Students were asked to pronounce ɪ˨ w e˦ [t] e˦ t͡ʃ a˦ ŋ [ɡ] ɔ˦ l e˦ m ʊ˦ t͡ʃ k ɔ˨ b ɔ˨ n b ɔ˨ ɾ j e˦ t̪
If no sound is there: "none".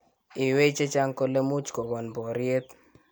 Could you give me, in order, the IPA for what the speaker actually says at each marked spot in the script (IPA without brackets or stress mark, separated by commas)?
t͡ʃ, k